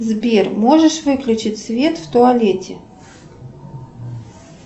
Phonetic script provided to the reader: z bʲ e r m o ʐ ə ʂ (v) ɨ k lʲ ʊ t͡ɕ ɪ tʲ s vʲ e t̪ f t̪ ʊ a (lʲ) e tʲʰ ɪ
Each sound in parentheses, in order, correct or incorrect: correct, correct

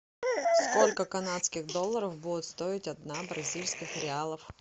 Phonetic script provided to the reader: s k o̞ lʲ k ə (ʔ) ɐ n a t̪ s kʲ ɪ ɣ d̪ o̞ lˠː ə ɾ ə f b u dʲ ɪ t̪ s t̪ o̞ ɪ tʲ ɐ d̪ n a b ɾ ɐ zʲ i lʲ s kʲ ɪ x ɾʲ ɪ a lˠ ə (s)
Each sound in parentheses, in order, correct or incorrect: incorrect: k, incorrect: f

